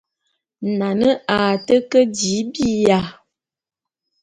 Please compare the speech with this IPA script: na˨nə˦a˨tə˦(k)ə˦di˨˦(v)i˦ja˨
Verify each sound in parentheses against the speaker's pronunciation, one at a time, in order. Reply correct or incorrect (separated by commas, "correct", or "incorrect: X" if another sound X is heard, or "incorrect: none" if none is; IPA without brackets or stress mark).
correct, incorrect: b